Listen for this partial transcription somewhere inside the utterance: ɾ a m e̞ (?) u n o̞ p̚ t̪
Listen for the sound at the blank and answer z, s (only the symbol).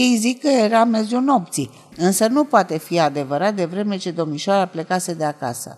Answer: z